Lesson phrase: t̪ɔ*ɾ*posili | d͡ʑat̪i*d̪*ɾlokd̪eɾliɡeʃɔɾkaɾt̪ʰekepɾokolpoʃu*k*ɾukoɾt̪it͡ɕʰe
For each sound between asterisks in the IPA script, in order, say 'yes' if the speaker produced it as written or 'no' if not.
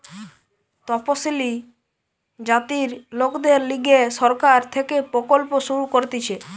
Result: no, no, no

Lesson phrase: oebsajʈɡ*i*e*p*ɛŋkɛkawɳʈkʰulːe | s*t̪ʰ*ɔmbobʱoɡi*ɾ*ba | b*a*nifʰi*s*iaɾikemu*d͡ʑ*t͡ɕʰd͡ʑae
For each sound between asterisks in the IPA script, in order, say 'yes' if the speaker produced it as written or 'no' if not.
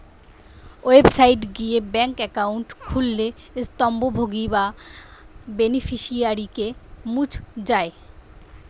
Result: yes, no, no, no, no, no, no

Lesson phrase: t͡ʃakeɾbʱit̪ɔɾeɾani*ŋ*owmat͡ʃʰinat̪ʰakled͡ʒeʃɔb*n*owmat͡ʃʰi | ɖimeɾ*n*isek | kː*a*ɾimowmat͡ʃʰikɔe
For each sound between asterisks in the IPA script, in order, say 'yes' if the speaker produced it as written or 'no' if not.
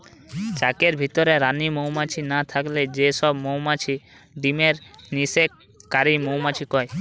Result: no, no, yes, yes

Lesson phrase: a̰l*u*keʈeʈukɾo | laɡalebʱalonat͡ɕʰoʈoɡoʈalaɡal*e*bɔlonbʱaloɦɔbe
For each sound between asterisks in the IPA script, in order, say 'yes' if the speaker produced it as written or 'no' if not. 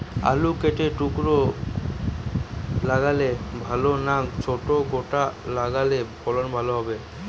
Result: yes, yes

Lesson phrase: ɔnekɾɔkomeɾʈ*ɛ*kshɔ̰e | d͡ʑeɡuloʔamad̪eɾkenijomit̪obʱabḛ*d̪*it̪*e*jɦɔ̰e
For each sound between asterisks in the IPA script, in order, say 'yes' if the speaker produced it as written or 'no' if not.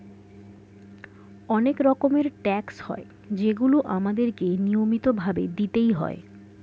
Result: yes, yes, yes

